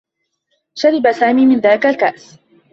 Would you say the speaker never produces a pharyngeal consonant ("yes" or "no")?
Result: yes